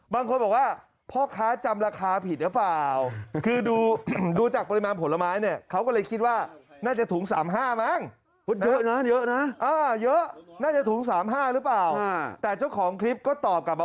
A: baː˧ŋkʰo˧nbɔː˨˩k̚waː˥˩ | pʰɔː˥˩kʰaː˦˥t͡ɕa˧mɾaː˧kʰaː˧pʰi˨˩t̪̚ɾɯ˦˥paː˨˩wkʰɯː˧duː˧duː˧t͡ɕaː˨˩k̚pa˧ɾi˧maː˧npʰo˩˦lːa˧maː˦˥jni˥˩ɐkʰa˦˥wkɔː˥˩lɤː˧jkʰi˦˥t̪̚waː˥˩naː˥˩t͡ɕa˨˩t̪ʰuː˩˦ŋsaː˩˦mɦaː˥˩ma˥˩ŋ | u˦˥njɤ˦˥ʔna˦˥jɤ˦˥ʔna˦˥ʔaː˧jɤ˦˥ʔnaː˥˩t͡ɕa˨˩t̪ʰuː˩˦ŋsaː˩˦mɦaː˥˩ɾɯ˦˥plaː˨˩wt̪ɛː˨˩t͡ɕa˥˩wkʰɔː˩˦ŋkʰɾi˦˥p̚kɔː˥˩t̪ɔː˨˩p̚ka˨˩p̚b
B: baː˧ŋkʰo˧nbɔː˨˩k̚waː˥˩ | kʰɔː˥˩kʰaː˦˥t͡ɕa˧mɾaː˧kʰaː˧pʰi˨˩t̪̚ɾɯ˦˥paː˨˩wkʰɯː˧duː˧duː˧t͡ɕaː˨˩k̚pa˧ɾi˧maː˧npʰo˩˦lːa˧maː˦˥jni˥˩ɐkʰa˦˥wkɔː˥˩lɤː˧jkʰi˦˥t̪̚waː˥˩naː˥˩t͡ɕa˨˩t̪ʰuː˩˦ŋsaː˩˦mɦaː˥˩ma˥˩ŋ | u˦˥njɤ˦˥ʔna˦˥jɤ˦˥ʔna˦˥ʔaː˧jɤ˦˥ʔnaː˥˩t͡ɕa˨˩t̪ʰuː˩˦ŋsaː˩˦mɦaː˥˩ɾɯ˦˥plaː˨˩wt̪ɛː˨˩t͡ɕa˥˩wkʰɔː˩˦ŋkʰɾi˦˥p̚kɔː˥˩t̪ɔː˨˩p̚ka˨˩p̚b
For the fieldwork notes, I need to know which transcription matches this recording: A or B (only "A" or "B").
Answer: A